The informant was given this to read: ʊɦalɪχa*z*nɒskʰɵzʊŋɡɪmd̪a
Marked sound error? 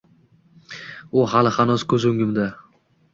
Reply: yes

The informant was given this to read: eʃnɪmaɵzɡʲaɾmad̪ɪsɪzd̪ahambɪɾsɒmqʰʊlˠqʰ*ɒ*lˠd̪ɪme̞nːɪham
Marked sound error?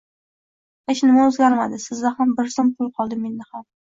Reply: no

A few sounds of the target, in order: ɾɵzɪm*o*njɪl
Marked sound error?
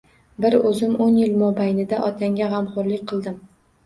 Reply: no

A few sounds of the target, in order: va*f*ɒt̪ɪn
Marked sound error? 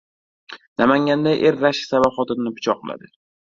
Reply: yes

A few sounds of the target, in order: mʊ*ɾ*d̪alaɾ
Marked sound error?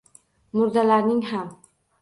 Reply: no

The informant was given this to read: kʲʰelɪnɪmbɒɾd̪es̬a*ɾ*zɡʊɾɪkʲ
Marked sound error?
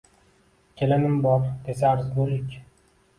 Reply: no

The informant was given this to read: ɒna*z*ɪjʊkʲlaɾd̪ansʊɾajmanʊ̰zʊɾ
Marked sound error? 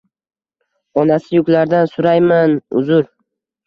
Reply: yes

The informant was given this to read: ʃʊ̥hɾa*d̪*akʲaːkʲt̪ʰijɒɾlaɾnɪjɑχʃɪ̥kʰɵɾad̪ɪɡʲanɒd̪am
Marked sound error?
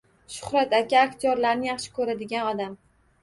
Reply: yes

